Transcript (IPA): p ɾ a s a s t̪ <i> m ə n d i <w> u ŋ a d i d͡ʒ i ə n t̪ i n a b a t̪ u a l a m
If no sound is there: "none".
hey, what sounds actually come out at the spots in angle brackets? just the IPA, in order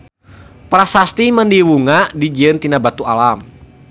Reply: i, w

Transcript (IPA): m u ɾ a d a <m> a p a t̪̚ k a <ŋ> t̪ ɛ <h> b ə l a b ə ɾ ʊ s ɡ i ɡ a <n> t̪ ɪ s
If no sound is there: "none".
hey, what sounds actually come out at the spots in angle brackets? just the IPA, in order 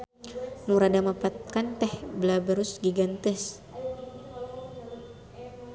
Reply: m, n, h, n

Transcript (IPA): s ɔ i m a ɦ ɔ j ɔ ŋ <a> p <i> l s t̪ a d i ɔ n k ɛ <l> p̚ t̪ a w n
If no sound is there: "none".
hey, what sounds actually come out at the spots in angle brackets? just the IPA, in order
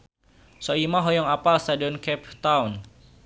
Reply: a, a, none

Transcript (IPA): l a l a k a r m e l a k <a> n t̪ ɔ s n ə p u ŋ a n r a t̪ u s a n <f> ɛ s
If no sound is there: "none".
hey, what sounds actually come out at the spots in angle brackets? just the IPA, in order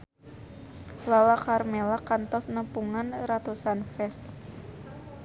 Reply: a, f

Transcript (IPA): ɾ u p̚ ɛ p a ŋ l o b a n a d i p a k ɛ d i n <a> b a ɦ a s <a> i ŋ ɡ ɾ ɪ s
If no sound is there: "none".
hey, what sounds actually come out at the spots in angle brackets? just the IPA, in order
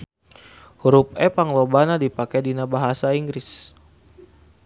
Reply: a, a

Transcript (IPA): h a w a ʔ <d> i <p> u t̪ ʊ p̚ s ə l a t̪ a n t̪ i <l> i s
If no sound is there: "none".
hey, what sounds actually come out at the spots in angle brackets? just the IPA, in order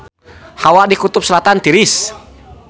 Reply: d, k, ɾ

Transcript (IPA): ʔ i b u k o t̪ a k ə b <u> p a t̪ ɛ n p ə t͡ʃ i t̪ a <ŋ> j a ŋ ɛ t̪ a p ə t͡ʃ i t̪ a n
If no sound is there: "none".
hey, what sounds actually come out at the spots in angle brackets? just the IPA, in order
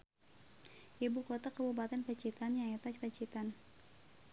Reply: u, n

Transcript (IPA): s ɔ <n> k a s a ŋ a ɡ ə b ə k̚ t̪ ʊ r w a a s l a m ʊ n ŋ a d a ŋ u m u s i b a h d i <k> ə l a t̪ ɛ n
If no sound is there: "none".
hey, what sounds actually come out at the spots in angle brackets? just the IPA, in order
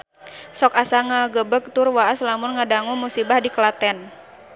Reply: none, k

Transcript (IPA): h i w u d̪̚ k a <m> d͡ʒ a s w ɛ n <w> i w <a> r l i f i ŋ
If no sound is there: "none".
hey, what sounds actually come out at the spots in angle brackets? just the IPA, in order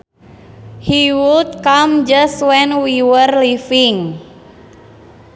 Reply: m, w, ə

